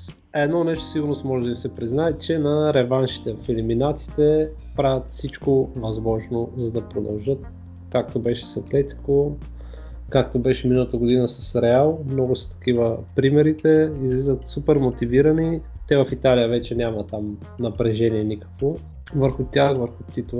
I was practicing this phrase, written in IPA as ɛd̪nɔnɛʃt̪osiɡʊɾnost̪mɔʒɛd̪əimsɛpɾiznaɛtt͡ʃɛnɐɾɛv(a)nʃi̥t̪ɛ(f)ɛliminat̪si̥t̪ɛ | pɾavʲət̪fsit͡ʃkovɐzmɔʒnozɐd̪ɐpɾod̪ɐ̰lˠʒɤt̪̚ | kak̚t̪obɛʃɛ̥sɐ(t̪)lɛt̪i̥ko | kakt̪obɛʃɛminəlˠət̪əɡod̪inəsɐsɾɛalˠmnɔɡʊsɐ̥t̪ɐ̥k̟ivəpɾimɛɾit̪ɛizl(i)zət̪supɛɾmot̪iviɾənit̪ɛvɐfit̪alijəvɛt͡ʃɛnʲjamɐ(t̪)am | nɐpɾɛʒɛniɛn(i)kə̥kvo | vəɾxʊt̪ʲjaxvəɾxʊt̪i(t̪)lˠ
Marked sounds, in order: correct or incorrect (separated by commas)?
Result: correct, correct, correct, correct, correct, correct, correct